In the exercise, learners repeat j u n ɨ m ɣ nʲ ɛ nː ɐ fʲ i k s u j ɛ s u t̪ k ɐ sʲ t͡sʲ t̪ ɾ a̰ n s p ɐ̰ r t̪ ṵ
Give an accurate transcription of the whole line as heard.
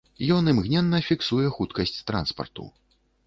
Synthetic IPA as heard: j ɔ n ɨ m ɣ nʲ ɛ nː ɐ fʲ i k s u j ɛ x u t̪ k ɐ sʲ t͡sʲ t̪ ɾ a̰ n s p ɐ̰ r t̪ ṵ